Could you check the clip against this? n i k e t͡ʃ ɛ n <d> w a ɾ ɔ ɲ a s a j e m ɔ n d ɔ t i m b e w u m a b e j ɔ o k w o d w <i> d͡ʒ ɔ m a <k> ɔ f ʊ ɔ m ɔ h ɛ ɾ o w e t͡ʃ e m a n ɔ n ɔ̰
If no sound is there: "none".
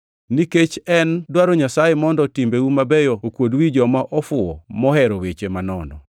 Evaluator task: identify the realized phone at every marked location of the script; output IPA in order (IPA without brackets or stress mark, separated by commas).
d, i, ʔ